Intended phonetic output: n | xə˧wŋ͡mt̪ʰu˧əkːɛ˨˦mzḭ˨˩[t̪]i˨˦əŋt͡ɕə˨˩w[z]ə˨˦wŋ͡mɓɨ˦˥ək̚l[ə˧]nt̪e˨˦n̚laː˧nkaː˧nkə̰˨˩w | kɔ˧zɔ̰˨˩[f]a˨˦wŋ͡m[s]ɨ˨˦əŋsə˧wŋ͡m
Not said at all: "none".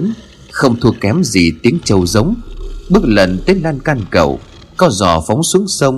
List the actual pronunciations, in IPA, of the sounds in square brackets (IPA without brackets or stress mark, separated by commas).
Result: t̪, z, ə˨˩, f, s